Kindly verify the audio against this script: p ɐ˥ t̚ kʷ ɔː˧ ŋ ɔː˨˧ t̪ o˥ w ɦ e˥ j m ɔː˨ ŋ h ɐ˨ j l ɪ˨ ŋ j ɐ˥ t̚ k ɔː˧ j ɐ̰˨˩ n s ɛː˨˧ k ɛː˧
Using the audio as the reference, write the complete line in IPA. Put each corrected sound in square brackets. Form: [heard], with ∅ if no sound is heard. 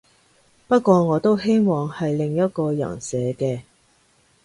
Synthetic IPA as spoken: p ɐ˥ t̚ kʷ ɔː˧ ŋ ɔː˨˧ t̪ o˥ w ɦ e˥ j m ɔː˨ ŋ h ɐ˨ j l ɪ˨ ŋ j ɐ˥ t̚ k ɔː˧ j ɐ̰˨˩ n s ɛː˨˧ k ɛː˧